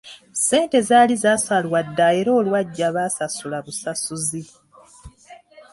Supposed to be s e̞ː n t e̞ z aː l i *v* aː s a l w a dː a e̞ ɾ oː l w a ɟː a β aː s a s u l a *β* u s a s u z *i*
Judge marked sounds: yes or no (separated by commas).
no, yes, yes